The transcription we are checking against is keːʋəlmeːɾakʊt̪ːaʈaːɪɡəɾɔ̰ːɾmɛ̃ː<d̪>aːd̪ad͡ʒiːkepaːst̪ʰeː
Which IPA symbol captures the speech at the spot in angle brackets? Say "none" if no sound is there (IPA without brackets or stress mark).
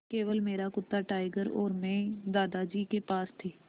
d̪